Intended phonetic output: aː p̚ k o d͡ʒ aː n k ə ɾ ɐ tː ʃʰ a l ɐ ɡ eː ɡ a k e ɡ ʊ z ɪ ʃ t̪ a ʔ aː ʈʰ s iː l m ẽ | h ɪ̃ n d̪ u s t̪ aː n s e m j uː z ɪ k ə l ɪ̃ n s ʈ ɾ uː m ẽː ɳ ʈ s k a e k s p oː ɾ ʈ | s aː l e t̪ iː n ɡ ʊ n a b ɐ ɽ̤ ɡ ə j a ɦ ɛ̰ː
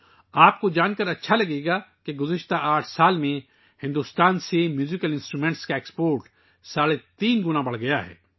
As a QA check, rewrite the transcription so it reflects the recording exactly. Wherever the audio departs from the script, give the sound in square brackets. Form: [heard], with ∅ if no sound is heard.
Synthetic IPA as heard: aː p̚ k o d͡ʒ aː n k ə ɾ ɐ tː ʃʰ a l ɐ ɡ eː ɡ a k e ɡ ʊ z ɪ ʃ t̪ a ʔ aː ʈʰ s [aː] l m ẽ | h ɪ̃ n d̪ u s t̪ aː n s e m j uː z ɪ k ə l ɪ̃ n s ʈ ɾ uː m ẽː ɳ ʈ s k a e k s p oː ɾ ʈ | s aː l e t̪ iː n ɡ ʊ n a b ɐ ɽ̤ ɡ [ɐ] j a ɦ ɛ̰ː